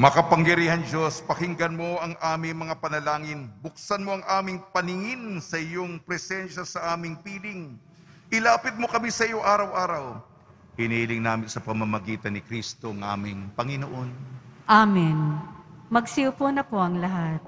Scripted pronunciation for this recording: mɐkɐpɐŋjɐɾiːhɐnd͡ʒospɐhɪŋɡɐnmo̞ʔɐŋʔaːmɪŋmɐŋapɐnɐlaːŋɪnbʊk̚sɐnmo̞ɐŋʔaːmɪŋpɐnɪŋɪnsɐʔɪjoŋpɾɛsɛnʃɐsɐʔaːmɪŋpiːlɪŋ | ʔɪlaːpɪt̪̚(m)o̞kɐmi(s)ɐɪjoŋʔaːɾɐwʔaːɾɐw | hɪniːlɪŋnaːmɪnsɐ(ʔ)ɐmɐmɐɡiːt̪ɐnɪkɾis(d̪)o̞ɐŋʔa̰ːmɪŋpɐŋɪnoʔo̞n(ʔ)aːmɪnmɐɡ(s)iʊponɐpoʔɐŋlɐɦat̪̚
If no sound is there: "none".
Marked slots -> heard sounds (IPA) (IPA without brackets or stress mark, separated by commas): m, s, p, t̪, ʔ, s